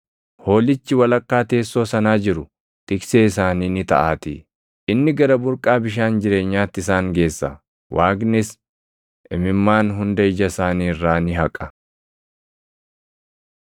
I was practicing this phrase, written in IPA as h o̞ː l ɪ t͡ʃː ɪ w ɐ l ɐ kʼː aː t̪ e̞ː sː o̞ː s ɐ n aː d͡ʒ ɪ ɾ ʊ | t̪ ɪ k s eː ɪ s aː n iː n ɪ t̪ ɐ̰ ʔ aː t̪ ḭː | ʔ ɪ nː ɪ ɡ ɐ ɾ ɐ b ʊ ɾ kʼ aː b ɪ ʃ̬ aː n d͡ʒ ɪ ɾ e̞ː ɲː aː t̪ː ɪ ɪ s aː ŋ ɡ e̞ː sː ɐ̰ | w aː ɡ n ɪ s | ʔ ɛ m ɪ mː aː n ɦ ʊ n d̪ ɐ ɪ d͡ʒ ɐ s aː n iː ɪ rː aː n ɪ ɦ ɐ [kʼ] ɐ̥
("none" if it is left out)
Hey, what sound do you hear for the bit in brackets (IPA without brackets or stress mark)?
kʼ